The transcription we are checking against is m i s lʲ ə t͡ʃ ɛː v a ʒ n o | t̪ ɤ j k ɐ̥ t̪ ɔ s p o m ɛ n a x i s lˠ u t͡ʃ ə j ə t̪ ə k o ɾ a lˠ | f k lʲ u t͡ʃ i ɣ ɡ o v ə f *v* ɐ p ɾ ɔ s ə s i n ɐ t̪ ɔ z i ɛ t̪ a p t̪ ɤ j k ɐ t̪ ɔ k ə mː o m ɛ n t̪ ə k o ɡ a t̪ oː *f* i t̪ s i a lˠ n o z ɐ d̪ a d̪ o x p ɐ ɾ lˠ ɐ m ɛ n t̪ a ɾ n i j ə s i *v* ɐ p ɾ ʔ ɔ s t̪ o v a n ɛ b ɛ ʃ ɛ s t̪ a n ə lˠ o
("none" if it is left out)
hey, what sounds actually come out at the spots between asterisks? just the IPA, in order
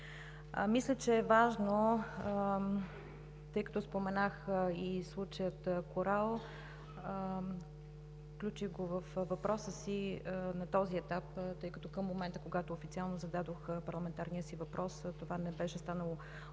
v, f, v

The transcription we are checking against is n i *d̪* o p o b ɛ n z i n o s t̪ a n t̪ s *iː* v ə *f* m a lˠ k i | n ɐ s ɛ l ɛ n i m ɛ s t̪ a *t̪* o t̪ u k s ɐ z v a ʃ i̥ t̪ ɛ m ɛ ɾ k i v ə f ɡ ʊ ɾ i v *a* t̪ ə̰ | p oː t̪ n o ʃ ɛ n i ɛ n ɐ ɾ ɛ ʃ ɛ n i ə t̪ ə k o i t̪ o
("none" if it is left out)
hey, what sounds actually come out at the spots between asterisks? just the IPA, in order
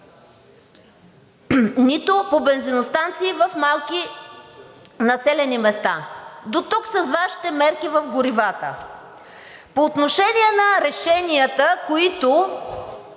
t̪, iː, f, d̪, a

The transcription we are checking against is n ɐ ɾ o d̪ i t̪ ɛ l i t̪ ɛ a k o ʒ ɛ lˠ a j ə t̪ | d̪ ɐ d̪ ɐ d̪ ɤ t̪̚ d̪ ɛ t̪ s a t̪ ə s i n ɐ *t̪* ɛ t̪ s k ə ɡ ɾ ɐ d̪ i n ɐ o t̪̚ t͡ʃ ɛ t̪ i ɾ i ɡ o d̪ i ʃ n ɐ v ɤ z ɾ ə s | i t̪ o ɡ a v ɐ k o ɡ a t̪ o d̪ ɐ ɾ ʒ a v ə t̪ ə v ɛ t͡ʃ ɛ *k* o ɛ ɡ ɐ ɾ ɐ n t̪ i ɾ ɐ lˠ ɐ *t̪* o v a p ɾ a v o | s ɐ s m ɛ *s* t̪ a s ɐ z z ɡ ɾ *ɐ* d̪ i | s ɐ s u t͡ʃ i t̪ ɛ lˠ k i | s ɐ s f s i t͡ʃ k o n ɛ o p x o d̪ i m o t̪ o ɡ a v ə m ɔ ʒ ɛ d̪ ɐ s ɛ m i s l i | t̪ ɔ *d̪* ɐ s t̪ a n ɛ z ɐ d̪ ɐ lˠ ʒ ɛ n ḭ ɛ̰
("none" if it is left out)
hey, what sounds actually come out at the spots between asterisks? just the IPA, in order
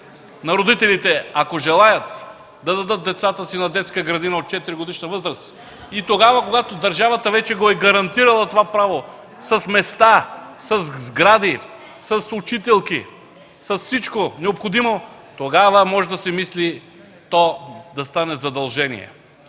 d̪, ɡ, t̪, s, a, d̪

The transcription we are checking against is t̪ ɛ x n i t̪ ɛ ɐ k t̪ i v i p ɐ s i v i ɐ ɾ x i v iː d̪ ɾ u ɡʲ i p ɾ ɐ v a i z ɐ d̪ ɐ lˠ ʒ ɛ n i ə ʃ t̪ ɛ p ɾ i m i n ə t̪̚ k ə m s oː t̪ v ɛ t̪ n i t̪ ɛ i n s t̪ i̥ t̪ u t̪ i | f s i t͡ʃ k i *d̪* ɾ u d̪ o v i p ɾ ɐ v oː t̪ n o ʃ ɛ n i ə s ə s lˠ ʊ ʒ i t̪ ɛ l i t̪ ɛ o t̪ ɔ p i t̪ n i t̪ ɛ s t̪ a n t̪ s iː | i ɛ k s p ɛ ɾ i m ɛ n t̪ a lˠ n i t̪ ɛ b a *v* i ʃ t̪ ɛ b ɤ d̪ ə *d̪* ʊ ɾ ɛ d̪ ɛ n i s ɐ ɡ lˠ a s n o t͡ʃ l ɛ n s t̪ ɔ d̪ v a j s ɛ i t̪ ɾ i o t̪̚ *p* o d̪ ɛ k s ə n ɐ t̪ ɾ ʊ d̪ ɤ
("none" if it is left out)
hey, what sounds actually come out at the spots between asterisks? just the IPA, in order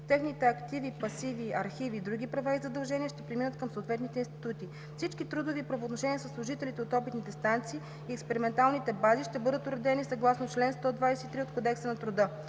t̪, z, t̪, k

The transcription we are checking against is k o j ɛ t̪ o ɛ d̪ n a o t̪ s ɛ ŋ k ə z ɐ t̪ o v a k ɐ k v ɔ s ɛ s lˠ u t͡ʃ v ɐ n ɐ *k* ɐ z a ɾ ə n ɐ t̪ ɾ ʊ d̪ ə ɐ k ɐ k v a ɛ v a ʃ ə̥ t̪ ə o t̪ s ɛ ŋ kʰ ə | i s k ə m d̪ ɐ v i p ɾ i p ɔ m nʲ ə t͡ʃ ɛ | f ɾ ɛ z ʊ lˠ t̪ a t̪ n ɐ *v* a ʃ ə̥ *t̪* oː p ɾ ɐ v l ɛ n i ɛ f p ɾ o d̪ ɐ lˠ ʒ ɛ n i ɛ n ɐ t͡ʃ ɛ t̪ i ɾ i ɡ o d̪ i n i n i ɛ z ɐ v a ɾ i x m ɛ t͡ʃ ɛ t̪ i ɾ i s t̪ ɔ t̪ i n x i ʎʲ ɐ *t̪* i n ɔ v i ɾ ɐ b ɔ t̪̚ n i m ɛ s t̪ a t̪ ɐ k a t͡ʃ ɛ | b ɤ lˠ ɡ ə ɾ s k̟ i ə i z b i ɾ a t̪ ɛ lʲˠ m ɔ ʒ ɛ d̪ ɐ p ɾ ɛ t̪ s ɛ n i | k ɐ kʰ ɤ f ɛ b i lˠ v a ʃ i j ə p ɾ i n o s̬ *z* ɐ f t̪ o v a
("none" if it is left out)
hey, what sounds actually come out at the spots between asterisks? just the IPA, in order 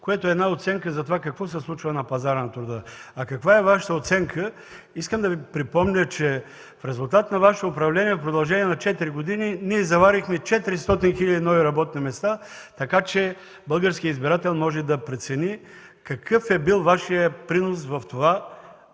p, v, t̪, d̪, v

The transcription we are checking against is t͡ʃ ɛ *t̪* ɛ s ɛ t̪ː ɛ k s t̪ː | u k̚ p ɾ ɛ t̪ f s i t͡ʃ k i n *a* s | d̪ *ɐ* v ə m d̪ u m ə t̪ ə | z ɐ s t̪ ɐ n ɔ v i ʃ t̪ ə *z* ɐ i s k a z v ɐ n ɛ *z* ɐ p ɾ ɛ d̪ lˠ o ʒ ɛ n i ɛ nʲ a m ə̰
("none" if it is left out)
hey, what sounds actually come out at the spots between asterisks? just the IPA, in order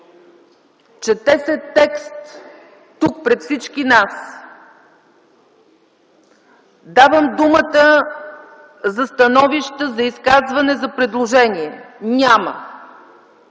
t̪, a, a, z, z

